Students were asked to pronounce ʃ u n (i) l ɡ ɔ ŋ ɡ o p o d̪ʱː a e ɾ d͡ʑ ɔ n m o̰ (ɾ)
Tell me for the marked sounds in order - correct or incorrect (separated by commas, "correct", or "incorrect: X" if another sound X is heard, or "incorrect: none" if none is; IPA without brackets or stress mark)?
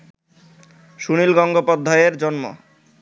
correct, incorrect: none